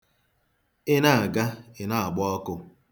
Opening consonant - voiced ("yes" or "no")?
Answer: yes